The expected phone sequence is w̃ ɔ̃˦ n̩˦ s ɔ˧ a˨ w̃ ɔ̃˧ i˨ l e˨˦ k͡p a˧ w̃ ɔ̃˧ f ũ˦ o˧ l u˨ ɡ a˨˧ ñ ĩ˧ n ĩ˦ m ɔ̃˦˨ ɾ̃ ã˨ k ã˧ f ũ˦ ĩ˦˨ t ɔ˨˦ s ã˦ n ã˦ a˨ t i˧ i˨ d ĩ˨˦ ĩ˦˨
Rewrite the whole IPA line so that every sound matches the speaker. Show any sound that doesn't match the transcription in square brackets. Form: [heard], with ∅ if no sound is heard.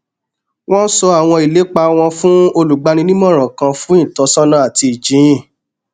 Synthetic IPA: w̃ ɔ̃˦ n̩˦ s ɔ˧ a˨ w̃ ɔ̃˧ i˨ l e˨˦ k͡p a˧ w̃ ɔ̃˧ f ũ˦ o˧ l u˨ [ɡ͡b] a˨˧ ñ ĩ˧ n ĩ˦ m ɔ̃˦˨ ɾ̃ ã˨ k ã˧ f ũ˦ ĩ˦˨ t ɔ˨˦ s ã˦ n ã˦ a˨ t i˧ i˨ [d͡ʒ] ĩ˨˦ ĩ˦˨